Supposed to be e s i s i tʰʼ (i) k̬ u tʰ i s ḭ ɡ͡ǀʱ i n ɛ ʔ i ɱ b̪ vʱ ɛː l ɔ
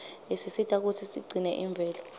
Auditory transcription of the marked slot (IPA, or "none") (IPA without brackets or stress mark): a